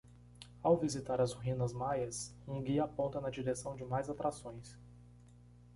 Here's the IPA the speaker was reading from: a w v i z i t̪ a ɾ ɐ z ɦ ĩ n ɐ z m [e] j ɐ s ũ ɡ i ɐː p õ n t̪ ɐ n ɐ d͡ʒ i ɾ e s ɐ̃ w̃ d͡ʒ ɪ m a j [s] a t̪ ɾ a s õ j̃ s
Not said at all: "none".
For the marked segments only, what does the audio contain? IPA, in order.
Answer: a, z

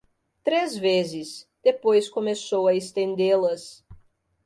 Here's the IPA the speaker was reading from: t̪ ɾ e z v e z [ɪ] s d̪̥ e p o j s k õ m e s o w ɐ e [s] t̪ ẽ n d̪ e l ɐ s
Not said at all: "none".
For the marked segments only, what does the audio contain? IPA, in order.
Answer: ɪ, s

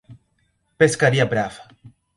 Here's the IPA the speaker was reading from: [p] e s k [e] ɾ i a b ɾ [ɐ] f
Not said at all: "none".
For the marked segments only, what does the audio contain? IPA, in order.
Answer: p, a, a

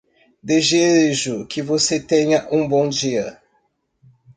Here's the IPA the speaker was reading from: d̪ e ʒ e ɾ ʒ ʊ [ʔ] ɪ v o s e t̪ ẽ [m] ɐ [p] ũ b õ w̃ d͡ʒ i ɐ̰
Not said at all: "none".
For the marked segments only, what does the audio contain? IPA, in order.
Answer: k, ɲ, ʔ

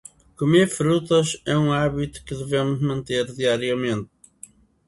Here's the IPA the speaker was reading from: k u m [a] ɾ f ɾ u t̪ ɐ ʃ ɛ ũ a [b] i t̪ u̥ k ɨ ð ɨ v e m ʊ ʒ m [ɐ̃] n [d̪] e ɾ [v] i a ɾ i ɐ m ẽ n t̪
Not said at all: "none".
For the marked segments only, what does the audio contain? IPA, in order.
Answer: e, β, ɐ̃, t̪, ð

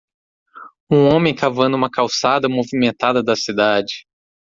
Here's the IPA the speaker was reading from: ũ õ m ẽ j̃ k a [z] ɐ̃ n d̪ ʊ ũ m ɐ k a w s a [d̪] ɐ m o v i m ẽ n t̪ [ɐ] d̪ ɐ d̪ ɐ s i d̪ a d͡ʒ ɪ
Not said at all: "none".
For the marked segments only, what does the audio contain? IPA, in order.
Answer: v, d̪, a

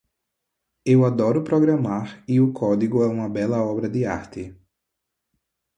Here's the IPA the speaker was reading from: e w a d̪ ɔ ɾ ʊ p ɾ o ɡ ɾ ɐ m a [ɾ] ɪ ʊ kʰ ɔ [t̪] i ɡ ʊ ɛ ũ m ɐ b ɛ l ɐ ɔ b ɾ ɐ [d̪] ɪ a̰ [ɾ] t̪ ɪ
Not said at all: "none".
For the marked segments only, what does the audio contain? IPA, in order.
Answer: ɾ, d̪, d̪, ɾ

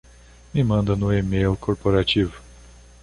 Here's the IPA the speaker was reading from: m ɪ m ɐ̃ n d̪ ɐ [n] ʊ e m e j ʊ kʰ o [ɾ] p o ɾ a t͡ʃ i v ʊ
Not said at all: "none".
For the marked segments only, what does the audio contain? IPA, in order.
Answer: n, ɾ

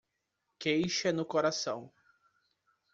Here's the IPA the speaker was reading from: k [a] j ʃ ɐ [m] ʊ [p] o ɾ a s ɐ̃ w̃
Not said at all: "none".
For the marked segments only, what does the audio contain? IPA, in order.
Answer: e, n, k

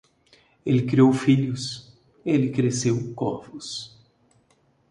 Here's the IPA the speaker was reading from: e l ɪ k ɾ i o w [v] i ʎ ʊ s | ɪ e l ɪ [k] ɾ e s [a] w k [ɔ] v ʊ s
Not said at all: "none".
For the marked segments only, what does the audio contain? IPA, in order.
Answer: f, k, e, ɔ

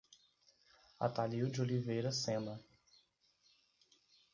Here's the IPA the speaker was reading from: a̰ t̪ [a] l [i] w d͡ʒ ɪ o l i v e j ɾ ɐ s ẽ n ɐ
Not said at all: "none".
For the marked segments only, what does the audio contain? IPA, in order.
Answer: a, i

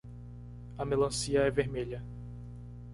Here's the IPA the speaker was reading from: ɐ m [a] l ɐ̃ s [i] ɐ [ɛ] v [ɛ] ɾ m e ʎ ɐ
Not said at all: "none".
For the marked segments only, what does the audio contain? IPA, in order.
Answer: e, i, ɛ, e

